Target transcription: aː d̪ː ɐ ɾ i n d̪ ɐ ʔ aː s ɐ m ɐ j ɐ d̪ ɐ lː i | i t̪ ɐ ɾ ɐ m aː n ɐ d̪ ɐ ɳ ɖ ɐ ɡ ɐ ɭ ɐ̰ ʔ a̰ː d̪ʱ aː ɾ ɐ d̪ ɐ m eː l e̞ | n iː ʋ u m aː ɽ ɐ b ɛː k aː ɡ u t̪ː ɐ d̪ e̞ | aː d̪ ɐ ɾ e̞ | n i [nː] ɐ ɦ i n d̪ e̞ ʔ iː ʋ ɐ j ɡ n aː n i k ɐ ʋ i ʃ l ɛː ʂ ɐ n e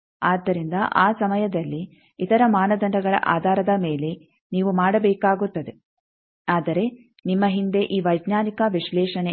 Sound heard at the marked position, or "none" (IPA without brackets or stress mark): mː